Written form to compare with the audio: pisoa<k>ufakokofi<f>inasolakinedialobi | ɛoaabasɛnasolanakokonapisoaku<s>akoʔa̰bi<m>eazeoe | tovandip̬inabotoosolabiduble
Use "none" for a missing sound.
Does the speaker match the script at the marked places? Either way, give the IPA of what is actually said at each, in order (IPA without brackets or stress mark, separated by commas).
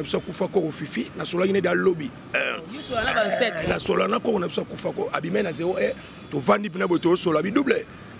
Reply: k, f, f, m